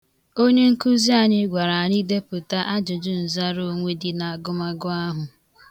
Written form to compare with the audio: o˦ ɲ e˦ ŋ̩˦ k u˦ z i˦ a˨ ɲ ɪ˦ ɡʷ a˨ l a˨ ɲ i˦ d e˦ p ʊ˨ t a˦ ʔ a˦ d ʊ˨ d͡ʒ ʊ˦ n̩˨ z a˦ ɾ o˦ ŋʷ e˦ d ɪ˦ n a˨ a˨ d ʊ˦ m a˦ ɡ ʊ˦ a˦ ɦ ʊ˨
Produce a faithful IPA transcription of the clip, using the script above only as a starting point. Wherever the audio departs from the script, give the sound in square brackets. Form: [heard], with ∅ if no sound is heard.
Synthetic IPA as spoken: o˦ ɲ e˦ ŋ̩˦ k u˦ z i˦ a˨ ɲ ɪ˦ ɡʷ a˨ [ɾ] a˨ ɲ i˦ d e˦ p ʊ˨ t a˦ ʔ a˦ [d͡ʒ] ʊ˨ d͡ʒ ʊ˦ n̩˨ z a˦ ɾ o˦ ŋʷ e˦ d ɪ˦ n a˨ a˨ [ɡ] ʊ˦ m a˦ ɡ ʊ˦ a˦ ɦ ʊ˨

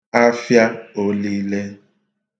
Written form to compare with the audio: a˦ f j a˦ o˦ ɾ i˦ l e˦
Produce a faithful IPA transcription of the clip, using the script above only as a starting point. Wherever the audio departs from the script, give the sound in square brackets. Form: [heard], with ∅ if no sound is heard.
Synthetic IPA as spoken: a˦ f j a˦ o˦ [l] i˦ l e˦

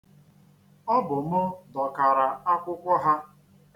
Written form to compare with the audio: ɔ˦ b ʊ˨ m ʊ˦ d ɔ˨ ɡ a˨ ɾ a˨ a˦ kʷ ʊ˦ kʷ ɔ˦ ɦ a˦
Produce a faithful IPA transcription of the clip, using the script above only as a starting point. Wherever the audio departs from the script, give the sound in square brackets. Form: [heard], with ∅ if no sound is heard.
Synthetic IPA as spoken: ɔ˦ b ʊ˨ m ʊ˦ d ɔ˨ [k] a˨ ɾ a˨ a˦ kʷ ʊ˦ kʷ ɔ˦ ɦ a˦

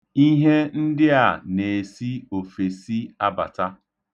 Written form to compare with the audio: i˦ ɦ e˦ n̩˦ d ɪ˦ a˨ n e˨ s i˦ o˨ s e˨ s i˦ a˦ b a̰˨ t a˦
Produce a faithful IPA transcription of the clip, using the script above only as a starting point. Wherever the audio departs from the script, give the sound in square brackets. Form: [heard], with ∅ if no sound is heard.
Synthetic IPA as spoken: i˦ ɦ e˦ n̩˦ d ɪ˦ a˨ n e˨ s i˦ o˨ [f] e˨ s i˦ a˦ b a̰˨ t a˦

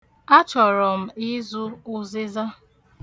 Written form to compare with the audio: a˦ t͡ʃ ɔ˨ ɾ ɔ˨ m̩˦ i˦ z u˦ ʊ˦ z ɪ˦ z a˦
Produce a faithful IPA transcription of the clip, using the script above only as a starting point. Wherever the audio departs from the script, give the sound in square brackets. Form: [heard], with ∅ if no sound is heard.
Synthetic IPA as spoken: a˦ t͡ʃ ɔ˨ ɾ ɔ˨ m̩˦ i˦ z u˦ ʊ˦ z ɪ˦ z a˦

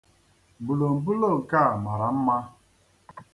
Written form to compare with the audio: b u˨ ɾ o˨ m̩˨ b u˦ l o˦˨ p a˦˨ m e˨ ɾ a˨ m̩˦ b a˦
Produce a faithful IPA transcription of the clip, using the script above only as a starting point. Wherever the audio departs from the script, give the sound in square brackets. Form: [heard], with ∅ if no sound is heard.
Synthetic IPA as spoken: b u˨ [l] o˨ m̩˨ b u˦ l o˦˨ [k] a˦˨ m [a˨] ɾ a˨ m̩˦ [m] a˦

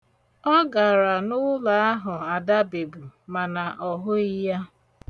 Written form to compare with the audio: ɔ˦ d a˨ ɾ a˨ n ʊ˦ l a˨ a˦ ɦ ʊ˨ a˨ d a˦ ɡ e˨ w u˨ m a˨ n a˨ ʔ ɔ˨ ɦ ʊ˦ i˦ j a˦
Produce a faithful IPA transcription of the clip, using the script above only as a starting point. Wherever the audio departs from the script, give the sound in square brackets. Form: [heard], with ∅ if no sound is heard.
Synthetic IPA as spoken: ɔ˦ [ɡ] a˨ ɾ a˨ n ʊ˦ l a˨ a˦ ɦ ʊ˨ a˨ d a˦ [b] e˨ [b] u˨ m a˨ n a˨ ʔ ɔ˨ ɦ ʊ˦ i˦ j a˦

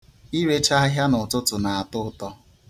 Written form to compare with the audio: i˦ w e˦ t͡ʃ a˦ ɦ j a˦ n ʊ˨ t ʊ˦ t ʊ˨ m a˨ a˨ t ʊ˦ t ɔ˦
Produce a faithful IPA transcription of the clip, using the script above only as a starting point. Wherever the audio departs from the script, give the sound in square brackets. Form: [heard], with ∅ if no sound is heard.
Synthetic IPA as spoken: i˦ w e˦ t͡ʃ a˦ ɦ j a˦ n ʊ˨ t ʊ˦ t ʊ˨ [n] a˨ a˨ t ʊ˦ t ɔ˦

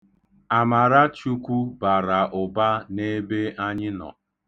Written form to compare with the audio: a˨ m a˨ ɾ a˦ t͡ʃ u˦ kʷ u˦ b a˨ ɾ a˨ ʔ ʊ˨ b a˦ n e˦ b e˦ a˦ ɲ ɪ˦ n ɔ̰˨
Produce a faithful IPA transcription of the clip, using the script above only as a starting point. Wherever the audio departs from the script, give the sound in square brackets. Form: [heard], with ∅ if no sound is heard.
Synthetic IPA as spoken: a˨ m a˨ ɾ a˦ t͡ʃ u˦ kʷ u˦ b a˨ ɾ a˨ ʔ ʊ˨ b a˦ n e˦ b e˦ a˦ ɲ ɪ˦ n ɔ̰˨

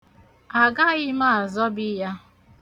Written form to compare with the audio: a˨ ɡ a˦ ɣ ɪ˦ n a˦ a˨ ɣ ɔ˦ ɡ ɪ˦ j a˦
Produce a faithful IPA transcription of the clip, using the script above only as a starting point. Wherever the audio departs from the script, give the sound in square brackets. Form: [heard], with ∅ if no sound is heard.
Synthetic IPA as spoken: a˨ ɡ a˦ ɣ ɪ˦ [m] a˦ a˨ [z] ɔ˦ [b] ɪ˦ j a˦

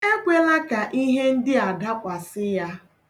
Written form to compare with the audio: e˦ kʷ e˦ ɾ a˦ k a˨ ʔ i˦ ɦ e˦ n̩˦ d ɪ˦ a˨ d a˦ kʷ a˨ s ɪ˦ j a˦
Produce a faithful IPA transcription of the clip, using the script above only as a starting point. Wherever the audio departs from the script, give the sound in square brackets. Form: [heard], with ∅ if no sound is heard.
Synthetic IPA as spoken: e˦ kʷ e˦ [l] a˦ k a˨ ʔ i˦ ɦ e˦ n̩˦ d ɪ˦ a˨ d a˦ kʷ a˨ s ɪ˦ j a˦

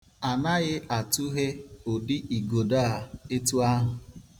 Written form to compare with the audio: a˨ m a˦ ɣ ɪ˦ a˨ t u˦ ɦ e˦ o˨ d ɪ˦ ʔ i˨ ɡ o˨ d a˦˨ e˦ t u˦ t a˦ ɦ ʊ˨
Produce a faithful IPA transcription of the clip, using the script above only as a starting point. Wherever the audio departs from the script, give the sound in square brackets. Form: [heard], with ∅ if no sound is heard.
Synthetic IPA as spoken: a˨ [n] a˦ ɣ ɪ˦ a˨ t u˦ ɦ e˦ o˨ d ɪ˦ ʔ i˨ ɡ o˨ d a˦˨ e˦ t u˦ [∅] a˦ ɦ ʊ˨

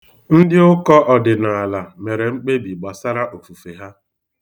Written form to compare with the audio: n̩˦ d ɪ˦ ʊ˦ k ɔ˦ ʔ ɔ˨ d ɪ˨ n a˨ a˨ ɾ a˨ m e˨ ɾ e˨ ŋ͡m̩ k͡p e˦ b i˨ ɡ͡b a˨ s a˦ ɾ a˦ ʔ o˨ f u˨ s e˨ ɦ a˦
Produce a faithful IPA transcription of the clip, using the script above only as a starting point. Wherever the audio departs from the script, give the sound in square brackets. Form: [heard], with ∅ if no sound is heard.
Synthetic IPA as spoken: n̩˦ d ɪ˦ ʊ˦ k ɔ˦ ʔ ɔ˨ d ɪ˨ n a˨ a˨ [l] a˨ m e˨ ɾ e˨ ŋ͡m̩ k͡p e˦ b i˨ ɡ͡b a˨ s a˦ ɾ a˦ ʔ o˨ f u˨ [f] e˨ ɦ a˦

